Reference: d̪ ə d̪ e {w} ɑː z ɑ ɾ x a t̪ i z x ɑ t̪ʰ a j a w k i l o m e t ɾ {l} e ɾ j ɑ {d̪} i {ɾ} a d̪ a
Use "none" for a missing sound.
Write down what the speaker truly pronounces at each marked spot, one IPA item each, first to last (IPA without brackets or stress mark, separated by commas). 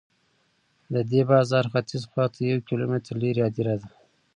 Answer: b, l, d̪, ɾ